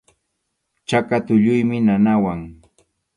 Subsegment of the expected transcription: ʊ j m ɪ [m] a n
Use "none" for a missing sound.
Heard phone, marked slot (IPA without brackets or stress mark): n